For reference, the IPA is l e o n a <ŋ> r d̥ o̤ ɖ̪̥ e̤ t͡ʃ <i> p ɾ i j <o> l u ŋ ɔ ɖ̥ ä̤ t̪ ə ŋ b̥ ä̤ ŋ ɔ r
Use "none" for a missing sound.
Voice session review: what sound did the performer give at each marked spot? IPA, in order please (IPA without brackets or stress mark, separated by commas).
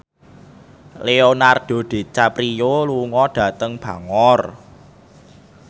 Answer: none, a, o